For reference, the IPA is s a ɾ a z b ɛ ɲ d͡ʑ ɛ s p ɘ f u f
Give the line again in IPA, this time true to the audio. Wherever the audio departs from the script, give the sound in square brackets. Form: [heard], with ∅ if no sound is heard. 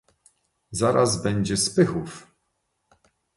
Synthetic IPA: [z] a ɾ a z b ɛ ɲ d͡ʑ ɛ s p ɘ [x] u f